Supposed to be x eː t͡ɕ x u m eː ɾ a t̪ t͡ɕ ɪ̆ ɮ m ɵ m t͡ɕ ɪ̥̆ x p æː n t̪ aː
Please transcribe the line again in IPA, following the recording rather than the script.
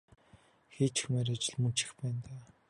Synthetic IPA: x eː t͡ɕ x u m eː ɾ a t͡ɕ ɪ̆ ɮ m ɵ n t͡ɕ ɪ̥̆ x p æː n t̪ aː